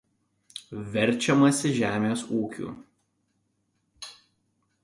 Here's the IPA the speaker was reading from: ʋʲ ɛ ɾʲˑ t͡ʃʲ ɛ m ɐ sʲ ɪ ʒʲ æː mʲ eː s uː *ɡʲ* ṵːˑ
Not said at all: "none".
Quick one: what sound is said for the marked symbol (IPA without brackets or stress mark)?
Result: kʲ